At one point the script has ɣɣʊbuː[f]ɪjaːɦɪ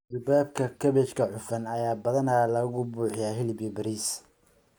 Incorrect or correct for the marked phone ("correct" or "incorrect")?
incorrect